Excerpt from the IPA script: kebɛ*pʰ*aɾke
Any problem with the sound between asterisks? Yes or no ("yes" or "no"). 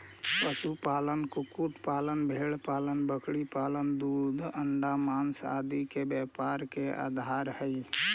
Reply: yes